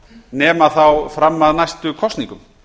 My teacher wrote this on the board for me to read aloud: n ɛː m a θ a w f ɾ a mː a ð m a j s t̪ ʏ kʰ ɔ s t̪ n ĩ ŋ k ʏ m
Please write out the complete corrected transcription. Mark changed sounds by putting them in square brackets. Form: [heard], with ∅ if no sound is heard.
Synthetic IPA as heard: n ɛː m a θ a w f ɾ a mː a ð [n] a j s t̪ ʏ kʰ ɔ s t̪ n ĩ ŋ k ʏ m